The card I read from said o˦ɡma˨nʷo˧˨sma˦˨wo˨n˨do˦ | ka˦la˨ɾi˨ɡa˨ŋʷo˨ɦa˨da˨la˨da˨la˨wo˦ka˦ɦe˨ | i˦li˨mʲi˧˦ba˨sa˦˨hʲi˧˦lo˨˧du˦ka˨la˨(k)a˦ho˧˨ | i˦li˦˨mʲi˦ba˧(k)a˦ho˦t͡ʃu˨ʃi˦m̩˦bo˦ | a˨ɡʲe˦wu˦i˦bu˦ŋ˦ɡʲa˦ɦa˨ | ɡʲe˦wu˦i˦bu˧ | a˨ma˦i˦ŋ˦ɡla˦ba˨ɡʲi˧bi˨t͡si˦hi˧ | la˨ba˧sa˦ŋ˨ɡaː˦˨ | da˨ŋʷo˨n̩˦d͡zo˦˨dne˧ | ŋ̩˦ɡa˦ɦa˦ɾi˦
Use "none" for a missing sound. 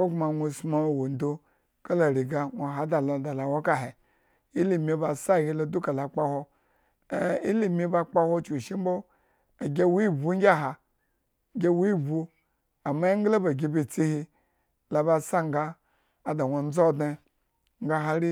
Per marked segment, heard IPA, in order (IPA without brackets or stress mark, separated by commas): k͡p, k͡p